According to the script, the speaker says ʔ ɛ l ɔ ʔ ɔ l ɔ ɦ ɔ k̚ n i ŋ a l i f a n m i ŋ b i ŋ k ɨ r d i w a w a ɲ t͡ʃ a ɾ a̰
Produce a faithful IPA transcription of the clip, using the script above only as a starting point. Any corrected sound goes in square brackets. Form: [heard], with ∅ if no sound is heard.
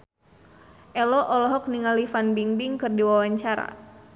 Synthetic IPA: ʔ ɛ l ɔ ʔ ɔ l ɔ ɦ ɔ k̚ n i ŋ a l i f a n [b] i ŋ b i ŋ k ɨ r d i w a w a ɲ t͡ʃ a ɾ a̰

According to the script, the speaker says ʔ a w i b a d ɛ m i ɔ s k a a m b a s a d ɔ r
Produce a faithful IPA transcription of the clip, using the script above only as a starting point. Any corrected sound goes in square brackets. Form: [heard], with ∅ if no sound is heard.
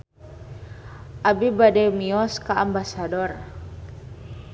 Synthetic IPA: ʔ a [b] i b a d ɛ m i ɔ s k a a m b a s a d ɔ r

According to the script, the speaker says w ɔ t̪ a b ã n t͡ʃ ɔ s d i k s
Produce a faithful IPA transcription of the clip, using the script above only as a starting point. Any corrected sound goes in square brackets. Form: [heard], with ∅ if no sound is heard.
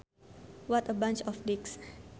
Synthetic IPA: w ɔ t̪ [ə] b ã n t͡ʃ ɔ [f] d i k s

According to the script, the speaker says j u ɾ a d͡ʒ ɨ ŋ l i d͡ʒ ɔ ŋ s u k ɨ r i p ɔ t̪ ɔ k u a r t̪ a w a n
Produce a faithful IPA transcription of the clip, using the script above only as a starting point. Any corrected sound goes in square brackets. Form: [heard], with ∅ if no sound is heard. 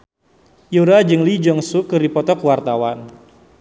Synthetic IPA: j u ɾ a d͡ʒ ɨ ŋ l i d͡ʒ ɔ ŋ s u k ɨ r i p ɔ t̪ ɔ k [w] a r t̪ a w a n

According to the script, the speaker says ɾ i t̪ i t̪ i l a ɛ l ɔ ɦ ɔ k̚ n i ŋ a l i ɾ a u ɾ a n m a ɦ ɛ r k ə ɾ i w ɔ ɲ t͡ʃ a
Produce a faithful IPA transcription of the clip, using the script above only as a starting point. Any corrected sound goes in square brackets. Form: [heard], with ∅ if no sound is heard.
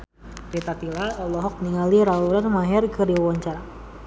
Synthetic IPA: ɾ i t̪ [a] t̪ i l a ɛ l ɔ ɦ ɔ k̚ n i ŋ a l i ɾ a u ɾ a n m a ɦ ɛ r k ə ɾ i w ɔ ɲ t͡ʃ a

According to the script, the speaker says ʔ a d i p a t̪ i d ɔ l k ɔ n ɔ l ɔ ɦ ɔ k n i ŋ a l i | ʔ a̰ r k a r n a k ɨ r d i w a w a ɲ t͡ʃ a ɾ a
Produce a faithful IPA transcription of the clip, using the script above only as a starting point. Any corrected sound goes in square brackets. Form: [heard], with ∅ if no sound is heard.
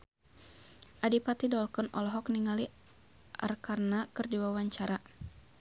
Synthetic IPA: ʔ a d i p a t̪ i d ɔ l k ɔ n ɔ l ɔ ɦ ɔ k n i ŋ a l i | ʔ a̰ r k a r n a k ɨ r d i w a w a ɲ t͡ʃ a ɾ a

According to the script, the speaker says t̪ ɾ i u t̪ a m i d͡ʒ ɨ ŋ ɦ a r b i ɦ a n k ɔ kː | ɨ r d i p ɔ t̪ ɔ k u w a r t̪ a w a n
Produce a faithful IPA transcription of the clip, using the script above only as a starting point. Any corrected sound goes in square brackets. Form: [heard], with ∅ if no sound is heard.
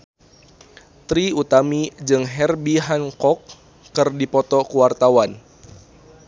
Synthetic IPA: t̪ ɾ i u t̪ a m i d͡ʒ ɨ ŋ ɦ [ɛ] r b i ɦ a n k ɔ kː | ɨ r d i p ɔ t̪ ɔ k u w a r t̪ a w a n

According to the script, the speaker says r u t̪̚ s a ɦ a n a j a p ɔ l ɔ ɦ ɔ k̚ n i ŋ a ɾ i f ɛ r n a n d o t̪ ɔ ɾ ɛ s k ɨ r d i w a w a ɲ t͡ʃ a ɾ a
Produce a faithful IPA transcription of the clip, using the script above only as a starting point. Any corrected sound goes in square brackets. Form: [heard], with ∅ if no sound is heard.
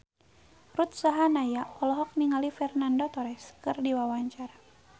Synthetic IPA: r u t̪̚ s a ɦ a n a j a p ɔ l ɔ ɦ ɔ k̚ n i ŋ a [l] i f ɛ r n a n d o t̪ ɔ ɾ ɛ s k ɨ r d i w a w a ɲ t͡ʃ a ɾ a

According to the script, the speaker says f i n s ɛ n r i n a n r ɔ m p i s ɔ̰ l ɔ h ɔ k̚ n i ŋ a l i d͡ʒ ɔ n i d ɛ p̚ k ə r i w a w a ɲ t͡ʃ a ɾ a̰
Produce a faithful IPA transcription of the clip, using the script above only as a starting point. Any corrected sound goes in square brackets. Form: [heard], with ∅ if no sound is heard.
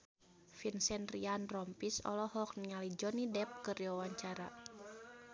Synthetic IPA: f i n s ɛ n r i [∅] a n r ɔ m p i s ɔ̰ l ɔ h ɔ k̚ n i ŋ a l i d͡ʒ ɔ n i d ɛ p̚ k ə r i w a w a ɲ t͡ʃ a ɾ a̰

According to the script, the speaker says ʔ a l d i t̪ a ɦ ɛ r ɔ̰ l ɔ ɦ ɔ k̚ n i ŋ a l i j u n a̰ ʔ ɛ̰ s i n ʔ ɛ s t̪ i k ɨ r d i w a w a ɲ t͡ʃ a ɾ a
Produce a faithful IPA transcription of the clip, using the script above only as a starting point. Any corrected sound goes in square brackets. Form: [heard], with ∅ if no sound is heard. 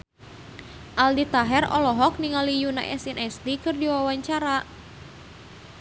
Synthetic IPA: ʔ a l d i t̪ a ɦ ɛ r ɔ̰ l ɔ ɦ ɔ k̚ n i ŋ a l i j u n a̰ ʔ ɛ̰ s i n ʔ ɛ s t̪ i k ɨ r d i w a w a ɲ t͡ʃ a ɾ a

